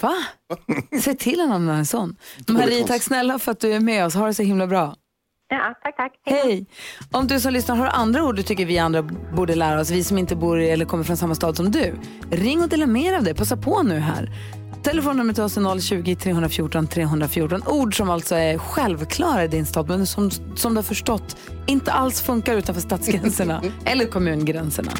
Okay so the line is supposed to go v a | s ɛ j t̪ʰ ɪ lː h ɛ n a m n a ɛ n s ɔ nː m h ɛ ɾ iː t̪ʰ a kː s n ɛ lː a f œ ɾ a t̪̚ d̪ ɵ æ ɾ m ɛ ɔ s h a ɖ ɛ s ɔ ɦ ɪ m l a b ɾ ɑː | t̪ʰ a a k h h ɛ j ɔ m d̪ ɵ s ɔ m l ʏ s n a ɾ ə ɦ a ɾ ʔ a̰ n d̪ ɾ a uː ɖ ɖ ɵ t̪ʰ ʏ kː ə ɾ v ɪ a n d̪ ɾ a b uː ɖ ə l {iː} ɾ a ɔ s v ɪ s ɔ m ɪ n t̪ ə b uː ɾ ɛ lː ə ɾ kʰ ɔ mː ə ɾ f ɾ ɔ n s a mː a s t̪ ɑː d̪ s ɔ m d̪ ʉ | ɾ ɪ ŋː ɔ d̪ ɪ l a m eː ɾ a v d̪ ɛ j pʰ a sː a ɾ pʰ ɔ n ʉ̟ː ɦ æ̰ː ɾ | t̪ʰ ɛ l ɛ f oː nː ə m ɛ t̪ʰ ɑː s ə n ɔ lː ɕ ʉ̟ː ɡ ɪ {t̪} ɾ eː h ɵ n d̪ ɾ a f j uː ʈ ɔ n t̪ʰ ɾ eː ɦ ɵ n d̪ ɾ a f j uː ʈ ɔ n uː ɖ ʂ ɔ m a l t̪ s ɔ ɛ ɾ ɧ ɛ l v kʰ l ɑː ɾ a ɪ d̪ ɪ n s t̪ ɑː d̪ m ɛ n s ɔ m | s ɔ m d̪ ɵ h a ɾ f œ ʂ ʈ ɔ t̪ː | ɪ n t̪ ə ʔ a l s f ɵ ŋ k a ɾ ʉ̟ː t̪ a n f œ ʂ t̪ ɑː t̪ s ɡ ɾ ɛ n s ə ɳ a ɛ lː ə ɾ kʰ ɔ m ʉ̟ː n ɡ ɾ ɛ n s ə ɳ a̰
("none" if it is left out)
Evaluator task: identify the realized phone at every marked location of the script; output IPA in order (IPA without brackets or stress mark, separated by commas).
æː, t̪ʰ